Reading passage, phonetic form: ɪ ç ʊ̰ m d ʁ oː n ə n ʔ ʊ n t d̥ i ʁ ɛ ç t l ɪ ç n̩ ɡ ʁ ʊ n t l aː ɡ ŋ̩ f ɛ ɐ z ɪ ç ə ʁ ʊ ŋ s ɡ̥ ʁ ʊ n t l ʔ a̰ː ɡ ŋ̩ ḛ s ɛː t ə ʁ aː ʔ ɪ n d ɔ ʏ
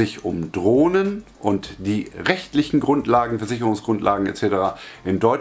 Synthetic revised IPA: ɪ ç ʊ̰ m d ʁ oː n ə n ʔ ʊ n t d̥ iː ʁ ɛ ç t l ɪ ç n̩ ɡ ʁ ʊ n t l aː ɡ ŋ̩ f ɛ ɐ z ɪ ç ə ʁ ʊ ŋ s ɡ̥ ʁ ʊ n t l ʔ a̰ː ɡ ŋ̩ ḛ t͡s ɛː t ə ʁ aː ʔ ɪ n d ɔ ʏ